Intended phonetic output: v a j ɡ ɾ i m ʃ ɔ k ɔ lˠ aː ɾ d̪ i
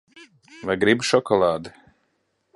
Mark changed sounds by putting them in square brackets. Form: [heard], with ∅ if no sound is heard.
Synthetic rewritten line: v a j ɡ ɾ i [b] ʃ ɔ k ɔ lˠ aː [∅] d̪ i